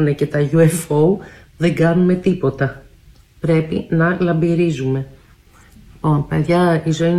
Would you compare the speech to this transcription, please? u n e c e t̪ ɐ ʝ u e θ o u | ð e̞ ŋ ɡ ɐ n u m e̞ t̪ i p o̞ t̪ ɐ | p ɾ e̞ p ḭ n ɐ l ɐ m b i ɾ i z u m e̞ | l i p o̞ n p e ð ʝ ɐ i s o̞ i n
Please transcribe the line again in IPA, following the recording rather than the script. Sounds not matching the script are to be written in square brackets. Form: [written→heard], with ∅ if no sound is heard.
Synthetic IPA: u n e c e t̪ ɐ ʝ u e [θ→f] o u | ð e̞ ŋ ɡ ɐ n u m e̞ t̪ i p o̞ t̪ ɐ | p ɾ e̞ p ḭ n ɐ l ɐ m b i ɾ i z u m e̞ | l i p o̞ n p e ð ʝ ɐ i [s→z] o̞ i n